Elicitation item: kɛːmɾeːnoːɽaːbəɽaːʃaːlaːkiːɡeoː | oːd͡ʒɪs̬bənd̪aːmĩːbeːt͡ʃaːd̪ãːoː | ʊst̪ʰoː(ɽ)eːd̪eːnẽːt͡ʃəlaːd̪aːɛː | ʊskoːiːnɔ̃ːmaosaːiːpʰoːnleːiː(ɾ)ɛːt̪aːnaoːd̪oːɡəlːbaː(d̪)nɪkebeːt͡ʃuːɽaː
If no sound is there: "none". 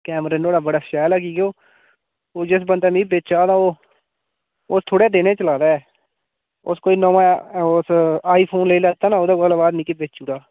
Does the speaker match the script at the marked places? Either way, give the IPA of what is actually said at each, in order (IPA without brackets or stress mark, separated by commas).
ɽ, l, d̪